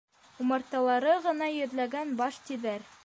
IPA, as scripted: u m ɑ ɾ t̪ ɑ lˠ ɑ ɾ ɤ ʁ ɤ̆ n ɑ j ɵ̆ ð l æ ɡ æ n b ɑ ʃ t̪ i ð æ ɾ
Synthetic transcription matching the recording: u m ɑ ɾ t̪ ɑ lˠ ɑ ɾ ɤ ʁ ɤ̆ n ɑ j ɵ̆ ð l æ ɡ æ n b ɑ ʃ t̪ i ð æ ɾ